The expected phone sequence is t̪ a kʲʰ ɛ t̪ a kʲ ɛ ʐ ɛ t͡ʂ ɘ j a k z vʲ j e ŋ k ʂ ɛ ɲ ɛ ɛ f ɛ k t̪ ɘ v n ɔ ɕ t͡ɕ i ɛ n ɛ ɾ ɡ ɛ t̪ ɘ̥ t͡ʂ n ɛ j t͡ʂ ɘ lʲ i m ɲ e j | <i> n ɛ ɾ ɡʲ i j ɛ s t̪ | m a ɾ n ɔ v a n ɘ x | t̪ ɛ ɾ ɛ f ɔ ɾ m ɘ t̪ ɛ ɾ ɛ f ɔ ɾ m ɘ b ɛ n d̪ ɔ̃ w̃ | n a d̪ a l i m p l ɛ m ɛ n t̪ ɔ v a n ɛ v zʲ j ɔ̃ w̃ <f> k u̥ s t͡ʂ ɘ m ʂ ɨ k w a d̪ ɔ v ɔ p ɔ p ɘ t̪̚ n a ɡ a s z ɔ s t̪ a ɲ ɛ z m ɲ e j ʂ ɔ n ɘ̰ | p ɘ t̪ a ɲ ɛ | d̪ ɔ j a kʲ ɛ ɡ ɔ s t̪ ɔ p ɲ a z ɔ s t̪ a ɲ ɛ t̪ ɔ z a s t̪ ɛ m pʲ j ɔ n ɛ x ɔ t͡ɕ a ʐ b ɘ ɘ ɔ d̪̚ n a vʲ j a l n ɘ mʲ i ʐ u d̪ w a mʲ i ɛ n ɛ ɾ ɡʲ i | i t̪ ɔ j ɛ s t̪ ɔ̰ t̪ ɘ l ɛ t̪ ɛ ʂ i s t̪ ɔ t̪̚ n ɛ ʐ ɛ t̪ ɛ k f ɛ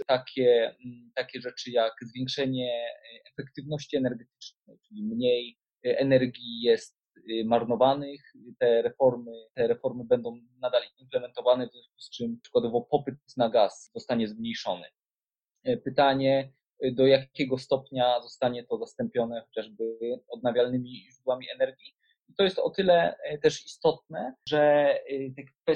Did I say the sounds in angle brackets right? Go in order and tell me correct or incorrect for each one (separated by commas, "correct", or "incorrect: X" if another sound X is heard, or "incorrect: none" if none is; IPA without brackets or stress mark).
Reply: incorrect: ɛ, incorrect: s